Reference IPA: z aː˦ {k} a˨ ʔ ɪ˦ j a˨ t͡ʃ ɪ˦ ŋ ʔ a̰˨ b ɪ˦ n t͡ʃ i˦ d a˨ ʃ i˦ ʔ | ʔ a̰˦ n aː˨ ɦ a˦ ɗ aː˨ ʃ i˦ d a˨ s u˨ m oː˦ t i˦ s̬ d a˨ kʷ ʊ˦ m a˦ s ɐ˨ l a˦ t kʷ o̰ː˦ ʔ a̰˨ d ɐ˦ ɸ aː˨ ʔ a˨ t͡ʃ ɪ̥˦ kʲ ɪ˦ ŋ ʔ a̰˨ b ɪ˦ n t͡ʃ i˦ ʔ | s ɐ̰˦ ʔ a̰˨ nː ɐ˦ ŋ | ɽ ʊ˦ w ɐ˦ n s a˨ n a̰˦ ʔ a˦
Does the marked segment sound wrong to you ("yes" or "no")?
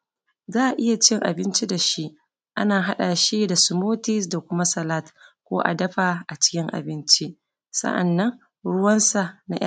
yes